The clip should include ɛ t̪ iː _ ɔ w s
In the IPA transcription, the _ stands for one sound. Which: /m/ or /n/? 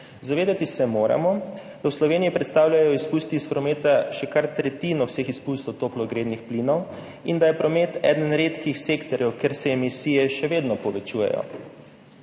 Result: n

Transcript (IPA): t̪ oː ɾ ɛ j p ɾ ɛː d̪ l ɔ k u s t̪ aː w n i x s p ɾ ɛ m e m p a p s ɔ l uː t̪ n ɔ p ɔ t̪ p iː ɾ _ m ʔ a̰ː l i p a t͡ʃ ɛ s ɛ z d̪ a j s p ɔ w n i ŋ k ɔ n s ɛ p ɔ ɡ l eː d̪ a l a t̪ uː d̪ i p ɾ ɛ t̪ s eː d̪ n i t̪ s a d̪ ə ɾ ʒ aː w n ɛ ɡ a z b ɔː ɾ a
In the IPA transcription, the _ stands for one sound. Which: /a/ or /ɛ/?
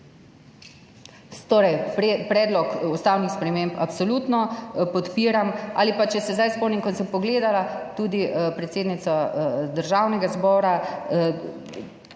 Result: a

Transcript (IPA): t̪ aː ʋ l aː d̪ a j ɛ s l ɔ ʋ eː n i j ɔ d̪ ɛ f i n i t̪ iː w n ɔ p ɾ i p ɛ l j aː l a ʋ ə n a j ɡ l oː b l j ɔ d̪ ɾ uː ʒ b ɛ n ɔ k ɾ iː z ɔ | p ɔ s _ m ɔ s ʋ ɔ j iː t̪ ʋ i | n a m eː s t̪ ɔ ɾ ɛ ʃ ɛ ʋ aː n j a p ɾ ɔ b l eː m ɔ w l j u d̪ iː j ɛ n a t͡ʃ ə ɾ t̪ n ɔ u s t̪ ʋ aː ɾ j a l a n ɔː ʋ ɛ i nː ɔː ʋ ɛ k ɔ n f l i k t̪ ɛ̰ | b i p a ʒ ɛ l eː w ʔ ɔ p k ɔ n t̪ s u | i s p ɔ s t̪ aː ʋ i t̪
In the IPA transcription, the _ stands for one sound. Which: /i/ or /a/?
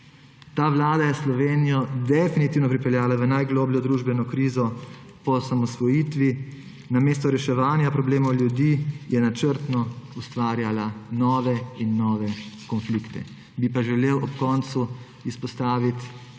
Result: a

